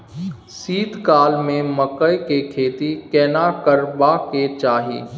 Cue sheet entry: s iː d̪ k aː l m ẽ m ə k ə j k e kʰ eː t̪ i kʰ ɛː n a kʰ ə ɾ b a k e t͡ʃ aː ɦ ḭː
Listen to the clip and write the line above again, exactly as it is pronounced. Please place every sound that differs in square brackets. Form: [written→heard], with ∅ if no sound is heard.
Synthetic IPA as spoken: s iː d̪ k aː l m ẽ m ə k ə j k e kʰ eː t̪ i [kʰ→k] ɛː n a [kʰ→k] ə ɾ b a k e t͡ʃ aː ɦ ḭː